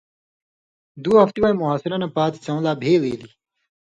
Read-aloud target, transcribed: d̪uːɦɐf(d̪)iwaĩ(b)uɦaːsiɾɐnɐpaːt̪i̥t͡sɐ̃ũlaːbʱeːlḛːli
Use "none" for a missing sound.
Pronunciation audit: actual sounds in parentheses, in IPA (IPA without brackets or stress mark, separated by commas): t̪, m